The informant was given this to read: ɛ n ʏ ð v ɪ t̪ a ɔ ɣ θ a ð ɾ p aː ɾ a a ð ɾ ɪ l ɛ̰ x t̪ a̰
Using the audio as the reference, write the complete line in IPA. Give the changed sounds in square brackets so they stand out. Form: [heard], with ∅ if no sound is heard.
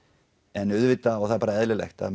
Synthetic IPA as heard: ɛ n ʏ ð v ɪ t̪ a ɔ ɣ θ a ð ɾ p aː ɾ a [ɛ] ð [l] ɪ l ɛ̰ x t̪ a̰